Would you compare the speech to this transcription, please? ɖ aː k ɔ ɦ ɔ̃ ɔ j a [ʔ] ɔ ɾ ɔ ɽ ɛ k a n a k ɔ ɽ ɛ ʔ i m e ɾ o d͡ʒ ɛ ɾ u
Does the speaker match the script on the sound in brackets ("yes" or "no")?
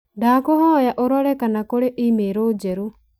yes